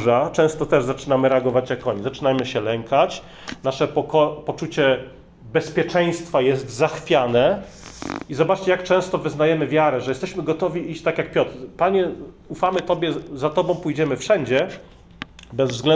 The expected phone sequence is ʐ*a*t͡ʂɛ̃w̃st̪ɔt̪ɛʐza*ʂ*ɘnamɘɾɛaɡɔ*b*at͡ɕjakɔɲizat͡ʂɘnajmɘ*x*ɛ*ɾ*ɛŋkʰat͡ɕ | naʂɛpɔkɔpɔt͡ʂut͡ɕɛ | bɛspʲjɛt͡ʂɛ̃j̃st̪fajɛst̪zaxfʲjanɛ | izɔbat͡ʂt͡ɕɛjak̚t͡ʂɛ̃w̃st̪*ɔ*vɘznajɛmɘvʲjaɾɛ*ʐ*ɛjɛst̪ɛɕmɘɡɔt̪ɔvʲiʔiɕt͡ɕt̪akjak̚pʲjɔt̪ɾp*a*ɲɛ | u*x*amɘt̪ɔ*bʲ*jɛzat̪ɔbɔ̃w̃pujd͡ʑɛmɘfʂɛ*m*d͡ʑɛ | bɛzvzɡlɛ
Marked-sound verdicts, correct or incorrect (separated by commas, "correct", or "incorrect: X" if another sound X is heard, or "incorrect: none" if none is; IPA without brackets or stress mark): correct, incorrect: t͡ʂ, incorrect: v, incorrect: ɕ, incorrect: l, correct, correct, correct, incorrect: f, correct, incorrect: ɲ